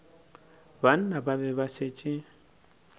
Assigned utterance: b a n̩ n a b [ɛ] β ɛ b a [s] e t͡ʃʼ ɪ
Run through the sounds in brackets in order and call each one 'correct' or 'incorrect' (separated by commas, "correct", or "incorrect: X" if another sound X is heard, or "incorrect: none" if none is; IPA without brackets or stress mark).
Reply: incorrect: a, correct